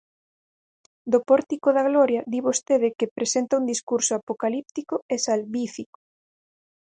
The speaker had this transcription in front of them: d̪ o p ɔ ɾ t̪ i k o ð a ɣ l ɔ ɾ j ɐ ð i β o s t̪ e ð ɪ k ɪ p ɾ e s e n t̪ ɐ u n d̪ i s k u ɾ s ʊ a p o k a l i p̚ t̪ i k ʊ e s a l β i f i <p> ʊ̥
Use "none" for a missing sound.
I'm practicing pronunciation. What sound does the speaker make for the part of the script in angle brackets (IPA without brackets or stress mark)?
k